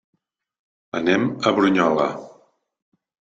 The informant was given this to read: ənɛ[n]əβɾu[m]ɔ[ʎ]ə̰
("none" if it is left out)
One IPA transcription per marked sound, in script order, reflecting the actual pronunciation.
m, ɲ, l

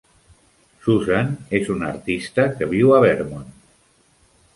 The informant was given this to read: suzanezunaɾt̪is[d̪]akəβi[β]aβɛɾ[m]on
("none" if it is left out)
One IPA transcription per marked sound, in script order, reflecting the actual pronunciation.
t̪, w, m

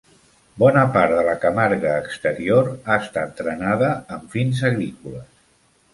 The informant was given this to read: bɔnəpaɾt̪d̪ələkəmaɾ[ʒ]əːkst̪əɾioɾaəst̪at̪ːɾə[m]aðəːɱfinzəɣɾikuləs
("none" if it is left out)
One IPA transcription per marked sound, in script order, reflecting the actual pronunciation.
ɣ, n

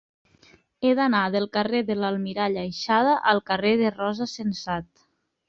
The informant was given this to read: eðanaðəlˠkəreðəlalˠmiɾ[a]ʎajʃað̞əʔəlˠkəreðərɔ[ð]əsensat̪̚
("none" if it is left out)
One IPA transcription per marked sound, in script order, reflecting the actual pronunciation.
a, z

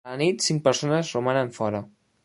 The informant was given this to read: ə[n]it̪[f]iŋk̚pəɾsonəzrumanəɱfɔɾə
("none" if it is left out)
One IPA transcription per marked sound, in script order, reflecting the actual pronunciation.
n, s

